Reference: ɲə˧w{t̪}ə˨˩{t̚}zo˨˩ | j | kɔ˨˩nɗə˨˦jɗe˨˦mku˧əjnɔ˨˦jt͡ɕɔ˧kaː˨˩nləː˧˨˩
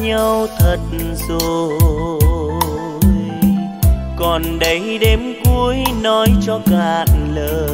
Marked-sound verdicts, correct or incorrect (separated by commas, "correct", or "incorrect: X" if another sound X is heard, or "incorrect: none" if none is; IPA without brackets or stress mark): incorrect: t̪ʰ, correct